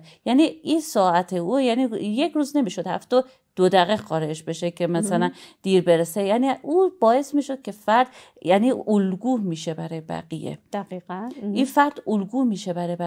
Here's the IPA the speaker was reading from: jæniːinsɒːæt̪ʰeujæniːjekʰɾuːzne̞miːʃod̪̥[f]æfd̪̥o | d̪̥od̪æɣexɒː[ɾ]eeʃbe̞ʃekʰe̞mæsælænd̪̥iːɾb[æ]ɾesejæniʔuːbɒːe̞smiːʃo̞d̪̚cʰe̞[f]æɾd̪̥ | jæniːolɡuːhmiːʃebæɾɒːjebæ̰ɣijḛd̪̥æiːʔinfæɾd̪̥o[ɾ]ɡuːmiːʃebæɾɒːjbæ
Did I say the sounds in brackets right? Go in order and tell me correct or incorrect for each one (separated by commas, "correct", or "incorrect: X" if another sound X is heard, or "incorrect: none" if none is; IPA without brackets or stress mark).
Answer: incorrect: h, correct, incorrect: e, correct, incorrect: l